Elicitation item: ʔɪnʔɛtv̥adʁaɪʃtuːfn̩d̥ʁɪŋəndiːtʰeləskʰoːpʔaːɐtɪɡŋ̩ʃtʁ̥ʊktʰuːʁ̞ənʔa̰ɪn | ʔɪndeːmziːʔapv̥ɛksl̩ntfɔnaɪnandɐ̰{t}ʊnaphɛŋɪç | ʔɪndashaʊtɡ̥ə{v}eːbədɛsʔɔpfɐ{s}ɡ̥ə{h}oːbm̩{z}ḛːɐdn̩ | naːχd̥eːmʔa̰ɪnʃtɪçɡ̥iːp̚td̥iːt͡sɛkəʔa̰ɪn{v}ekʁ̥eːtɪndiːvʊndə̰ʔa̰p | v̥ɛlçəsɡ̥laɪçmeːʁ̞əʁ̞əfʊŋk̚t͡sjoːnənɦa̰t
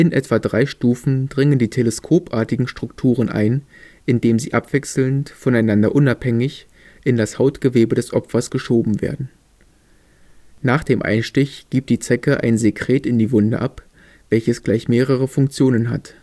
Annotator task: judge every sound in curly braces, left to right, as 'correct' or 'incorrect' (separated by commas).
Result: incorrect, correct, correct, incorrect, incorrect, incorrect